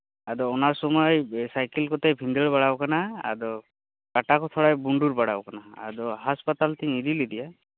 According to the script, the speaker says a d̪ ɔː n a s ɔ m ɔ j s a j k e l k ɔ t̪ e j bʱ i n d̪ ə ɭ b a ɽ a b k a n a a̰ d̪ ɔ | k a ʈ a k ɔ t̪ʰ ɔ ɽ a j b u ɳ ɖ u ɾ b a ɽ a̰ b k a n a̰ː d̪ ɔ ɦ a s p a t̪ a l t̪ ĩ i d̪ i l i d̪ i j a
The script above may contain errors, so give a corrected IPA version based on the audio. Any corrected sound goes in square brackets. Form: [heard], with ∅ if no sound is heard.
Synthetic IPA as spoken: a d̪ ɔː n a s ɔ m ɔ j s a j k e l k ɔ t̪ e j bʱ i n d̪ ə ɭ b a ɽ a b k a n a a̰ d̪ ɔ | k a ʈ a k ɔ t̪ʰ ɔ ɽ a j b u ɳ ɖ u ɾ b a ɽ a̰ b k a n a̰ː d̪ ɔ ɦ a s p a t̪ a l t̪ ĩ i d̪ i l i d̪ i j a